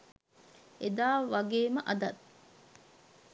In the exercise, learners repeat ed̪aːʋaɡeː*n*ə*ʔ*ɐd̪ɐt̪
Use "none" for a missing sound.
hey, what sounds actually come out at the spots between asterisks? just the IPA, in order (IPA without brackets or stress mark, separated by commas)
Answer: m, ʔ